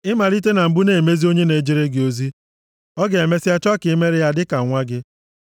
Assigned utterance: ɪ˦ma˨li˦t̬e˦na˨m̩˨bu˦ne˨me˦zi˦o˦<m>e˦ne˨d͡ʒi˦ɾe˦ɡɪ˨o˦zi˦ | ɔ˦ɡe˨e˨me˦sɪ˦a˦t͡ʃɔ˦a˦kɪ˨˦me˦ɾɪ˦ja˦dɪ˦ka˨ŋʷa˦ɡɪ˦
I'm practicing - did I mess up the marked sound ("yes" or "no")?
yes